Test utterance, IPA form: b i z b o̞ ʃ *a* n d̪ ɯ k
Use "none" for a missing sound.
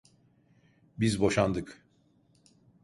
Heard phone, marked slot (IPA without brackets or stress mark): a